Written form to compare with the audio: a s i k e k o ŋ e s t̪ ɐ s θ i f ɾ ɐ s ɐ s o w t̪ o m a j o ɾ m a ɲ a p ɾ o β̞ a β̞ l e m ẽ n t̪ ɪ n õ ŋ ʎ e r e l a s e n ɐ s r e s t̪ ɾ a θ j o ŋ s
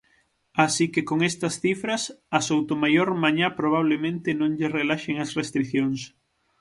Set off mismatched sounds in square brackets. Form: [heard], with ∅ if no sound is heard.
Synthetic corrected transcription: a s i k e k o ŋ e s t̪ ɐ s θ i f ɾ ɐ s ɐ s o w t̪ o m a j o ɾ m a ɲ a p ɾ o β̞ a β̞ l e m ẽ n t̪ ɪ n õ ŋ ʎ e r e l a [ʃ] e [ŋ] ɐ s r e s t̪ ɾ [i] θ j o ŋ s